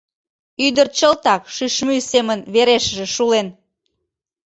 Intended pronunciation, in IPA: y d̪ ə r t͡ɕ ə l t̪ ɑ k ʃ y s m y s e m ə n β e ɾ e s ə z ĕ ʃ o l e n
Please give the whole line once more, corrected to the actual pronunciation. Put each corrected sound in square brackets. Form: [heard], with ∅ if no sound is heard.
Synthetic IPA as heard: y d̪ ə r t͡ɕ ə l t̪ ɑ k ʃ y [ʃ] m y s e m ə n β e ɾ e [ʃ] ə [ʒ] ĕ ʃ [u] l e n